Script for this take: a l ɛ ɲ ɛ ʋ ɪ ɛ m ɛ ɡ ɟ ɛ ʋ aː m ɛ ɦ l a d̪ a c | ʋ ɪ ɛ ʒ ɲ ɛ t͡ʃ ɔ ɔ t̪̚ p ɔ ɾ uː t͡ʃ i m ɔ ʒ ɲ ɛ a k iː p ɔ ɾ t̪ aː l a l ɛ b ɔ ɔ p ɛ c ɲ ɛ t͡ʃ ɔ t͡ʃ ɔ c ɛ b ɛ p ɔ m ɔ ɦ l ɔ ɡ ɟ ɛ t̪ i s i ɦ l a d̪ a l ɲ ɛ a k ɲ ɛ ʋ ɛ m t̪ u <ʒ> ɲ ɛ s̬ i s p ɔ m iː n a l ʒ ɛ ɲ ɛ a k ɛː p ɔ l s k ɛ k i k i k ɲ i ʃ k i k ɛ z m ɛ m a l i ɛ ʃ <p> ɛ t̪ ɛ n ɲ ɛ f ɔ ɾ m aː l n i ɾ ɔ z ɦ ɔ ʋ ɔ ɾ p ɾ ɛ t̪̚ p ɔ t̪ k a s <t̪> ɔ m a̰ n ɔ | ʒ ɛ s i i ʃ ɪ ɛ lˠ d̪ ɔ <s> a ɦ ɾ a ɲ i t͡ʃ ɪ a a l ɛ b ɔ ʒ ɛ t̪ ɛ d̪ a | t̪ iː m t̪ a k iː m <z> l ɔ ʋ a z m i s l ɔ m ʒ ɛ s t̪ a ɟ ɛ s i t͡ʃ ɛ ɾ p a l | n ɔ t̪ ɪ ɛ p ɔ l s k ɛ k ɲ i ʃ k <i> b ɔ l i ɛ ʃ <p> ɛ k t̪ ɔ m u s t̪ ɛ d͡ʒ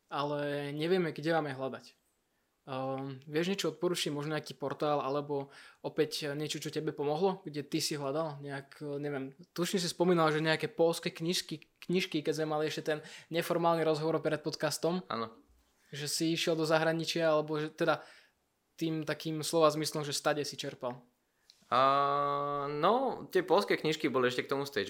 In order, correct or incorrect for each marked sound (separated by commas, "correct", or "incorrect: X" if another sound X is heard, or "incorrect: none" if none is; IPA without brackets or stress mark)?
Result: incorrect: ʃ, incorrect: c, correct, incorrect: z, incorrect: s, correct, incorrect: c